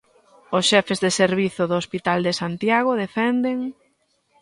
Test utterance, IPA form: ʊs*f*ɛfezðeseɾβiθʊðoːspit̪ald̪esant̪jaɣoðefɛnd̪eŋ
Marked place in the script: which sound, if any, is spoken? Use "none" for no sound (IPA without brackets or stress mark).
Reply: ʃ